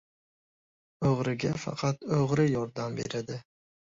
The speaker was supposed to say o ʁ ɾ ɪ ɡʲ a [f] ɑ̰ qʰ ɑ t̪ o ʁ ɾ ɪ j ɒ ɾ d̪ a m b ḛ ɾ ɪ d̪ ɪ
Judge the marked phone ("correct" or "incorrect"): correct